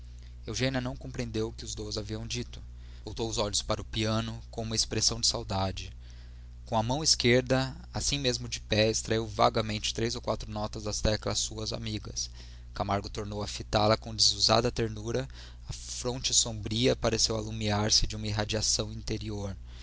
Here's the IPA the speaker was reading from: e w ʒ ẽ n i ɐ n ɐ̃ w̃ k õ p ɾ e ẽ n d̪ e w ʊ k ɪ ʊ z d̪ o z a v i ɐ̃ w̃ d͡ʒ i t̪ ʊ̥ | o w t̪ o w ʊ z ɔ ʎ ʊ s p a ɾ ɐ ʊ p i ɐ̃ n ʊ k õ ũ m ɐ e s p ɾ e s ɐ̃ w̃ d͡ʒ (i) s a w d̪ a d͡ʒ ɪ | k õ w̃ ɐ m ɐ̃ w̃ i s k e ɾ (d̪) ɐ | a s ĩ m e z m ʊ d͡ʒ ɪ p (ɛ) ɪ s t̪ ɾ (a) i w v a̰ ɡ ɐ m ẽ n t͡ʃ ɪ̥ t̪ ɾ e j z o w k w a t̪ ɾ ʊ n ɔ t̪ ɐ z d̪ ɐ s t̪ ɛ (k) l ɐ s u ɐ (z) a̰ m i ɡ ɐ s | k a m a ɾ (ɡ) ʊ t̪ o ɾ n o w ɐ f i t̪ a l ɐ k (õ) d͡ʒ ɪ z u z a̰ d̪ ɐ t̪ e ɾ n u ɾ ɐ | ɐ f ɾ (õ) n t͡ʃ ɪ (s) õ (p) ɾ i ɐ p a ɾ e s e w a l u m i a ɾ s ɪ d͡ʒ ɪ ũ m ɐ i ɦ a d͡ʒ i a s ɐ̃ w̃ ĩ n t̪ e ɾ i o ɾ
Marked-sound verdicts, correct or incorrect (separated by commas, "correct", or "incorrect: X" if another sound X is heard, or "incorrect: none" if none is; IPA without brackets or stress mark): incorrect: ɪ, correct, correct, correct, correct, correct, correct, correct, correct, correct, incorrect: b